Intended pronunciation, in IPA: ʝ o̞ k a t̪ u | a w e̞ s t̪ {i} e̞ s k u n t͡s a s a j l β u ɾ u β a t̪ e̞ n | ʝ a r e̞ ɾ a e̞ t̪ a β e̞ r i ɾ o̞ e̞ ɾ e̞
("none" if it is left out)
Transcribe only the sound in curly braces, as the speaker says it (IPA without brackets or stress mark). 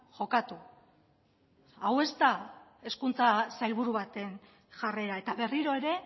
a